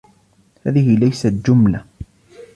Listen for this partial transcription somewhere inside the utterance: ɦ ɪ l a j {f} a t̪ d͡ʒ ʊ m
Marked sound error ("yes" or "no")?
yes